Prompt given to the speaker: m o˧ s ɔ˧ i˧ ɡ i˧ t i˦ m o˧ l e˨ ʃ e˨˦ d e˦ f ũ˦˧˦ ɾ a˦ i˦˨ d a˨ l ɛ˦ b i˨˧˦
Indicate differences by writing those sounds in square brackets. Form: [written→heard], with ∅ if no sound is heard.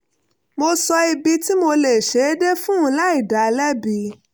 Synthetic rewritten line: m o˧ s ɔ˧ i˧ [ɡ→b] i˧ t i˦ m o˧ l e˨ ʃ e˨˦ d e˦ f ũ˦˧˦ [ɾ→l] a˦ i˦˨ d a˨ l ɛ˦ b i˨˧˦